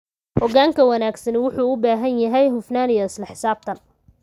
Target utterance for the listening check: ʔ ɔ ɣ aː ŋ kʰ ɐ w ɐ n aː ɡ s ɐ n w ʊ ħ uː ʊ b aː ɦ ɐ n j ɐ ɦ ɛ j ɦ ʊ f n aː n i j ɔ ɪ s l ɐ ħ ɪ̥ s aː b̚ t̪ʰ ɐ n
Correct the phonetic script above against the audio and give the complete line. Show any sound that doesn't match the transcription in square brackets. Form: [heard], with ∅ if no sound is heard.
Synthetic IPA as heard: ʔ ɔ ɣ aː ŋ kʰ ɐ w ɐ n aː ɡ s ɐ n w ʊ ħ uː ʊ b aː ɦ ɐ n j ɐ ɦ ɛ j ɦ ʊ f n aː n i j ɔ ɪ s l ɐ ħ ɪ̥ s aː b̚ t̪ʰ ɐ n